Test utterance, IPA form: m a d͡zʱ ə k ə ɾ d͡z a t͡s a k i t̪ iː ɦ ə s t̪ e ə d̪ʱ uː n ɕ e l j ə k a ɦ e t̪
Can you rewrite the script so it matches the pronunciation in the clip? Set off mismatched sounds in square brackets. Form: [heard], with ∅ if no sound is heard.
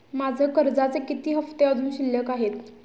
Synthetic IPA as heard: m a d͡zʱ ə k ə ɾ d͡z a t͡s [e] k i t̪ iː ɦ ə [f] t̪ e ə d̪ʱ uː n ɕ [i] l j ə k a ɦ e t̪